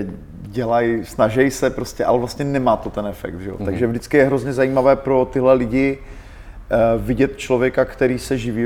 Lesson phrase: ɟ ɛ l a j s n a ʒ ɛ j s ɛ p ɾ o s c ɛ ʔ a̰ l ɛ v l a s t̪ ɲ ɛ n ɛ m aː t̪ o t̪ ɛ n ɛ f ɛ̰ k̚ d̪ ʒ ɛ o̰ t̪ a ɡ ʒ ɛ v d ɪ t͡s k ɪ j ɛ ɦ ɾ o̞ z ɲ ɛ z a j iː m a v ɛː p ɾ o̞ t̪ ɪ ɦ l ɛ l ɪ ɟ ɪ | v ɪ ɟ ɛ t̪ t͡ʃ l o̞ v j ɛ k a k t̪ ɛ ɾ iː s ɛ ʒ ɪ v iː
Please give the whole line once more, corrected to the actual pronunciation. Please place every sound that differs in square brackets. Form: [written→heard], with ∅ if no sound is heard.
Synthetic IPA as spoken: ɟ ɛ l a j s n a ʒ ɛ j s ɛ p ɾ o s c ɛ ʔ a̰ l ɛ v l a s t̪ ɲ ɛ n ɛ m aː t̪ o t̪ ɛ n ɛ f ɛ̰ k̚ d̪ ʒ ɛ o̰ t̪ a ɡ ʒ ɛ v d ɪ t͡s k ɪ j ɛ ɦ ɾ o̞ z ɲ ɛ z a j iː m a v ɛː p ɾ o̞ t̪ ɪ ɦ l ɛ l ɪ ɟ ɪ | v ɪ ɟ ɛ t̪ t͡ʃ l o̞ v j ɛ k a k t̪ ɛ ɾ iː s ɛ ʒ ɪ v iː